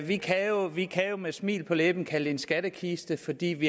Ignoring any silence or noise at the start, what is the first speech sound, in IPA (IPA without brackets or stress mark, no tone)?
ʋ